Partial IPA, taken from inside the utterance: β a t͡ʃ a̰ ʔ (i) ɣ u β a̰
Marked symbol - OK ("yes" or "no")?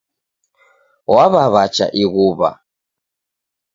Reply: yes